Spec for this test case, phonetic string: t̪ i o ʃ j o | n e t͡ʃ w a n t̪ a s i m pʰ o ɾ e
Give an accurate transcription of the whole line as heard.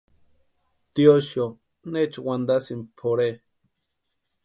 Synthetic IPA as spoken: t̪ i o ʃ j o | n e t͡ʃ w a n d̪ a s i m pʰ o ɾ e